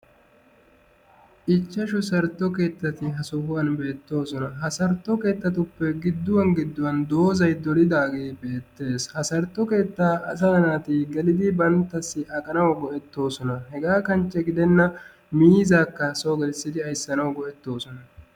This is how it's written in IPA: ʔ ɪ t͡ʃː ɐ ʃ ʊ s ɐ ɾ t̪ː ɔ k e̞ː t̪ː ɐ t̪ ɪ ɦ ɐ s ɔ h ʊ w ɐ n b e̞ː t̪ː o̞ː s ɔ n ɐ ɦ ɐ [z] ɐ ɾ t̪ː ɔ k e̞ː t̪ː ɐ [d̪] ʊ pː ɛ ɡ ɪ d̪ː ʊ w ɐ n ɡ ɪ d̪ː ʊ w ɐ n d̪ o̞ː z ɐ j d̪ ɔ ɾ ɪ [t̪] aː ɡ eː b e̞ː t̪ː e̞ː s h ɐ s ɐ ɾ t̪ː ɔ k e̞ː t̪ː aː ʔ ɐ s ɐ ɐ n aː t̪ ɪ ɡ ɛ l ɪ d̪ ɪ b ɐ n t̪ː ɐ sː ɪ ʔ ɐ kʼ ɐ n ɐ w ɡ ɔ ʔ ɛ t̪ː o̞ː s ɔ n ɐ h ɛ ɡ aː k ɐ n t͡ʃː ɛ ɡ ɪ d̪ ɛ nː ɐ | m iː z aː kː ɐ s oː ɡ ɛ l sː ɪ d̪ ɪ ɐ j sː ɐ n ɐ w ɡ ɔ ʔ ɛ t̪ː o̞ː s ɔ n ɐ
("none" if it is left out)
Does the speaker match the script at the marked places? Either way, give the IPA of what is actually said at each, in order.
s, t̪, d̪

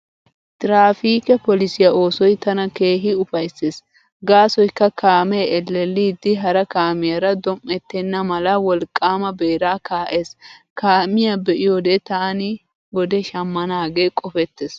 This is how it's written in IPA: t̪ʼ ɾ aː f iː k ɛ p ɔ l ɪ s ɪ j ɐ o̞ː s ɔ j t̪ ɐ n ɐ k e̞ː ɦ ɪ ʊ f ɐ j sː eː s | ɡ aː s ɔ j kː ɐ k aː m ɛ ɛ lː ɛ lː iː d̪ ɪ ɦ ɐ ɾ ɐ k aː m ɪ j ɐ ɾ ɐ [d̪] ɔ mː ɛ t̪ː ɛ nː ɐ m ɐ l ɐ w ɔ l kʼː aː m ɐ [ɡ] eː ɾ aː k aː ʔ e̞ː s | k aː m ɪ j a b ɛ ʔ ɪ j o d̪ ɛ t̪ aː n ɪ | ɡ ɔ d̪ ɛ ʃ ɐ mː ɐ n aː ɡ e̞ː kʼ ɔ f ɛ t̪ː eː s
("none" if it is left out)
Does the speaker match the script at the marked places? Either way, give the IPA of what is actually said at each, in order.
d̪, b

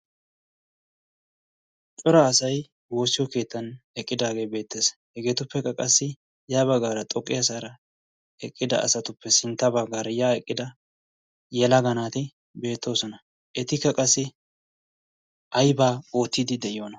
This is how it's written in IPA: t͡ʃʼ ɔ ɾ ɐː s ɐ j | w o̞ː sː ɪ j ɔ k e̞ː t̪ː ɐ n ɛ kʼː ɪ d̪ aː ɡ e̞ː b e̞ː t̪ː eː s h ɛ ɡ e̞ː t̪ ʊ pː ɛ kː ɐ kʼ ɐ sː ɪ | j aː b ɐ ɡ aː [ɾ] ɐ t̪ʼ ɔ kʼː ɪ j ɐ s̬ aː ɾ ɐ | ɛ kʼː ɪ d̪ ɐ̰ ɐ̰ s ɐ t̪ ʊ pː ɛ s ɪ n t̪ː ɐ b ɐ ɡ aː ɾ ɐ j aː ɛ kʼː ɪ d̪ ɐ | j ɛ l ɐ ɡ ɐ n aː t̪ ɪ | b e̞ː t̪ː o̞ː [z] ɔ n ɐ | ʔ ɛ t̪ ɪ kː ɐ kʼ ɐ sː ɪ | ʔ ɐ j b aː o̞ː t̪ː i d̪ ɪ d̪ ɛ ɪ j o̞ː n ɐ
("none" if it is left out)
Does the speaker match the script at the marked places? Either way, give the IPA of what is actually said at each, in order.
ɾ, s

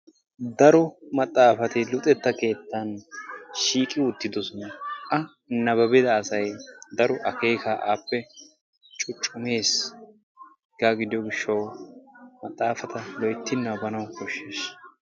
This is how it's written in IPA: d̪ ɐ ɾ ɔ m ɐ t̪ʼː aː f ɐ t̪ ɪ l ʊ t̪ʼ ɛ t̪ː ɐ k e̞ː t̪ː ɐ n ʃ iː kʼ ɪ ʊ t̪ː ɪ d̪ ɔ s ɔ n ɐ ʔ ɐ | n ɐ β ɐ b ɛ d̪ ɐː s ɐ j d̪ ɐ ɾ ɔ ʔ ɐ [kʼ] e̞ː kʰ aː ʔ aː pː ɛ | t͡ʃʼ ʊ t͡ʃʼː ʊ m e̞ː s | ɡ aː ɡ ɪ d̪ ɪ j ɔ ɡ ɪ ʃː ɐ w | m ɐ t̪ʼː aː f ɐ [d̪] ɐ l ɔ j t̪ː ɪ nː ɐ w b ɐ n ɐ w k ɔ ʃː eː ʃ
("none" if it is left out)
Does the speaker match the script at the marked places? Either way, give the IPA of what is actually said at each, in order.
k, t̪

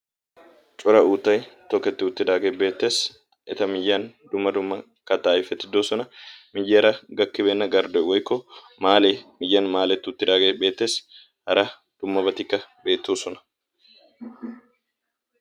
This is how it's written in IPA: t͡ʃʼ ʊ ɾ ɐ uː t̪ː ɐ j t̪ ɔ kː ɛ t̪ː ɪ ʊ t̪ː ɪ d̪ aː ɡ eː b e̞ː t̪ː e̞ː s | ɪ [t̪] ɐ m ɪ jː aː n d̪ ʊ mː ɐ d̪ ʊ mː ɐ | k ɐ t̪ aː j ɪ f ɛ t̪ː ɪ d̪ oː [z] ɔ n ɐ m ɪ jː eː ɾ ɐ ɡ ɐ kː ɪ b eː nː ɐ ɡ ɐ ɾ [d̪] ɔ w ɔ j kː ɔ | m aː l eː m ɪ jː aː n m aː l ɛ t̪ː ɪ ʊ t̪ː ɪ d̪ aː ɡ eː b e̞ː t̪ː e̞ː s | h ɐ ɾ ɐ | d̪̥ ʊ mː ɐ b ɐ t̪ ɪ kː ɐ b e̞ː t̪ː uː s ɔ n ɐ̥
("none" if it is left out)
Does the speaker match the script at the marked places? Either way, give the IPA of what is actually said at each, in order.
t̪, s, d̪

